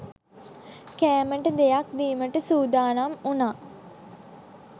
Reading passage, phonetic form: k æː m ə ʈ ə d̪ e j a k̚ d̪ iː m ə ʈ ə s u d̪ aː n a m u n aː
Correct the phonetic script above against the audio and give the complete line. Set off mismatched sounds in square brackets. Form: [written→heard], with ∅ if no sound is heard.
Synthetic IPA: k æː m ə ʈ ə d̪ e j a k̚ d̪ iː m ə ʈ ə s [u→uː] d̪ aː n a m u n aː